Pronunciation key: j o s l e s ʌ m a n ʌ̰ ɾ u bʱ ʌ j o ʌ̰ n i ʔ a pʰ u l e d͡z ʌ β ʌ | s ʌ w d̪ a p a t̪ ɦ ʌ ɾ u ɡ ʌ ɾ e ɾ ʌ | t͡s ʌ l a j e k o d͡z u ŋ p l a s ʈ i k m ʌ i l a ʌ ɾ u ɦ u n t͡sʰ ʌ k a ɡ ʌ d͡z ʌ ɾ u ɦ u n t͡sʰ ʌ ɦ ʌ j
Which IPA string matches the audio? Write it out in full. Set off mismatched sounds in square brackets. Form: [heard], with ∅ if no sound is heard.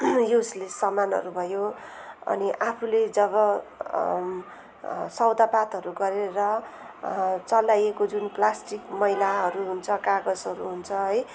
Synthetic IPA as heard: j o s l e s ʌ m a n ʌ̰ ɾ u bʱ ʌ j o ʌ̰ n i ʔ a pʰ u l e d͡z ʌ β ʌ | s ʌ w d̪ a p a t̪ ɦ ʌ ɾ u ɡ ʌ ɾ e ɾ ʌ | t͡s ʌ l a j e k o d͡z u [n] p l a s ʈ i k m ʌ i l a ʌ ɾ u ɦ u n t͡sʰ ʌ k a ɡ ʌ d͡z ʌ ɾ u ɦ u n t͡sʰ ʌ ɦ ʌ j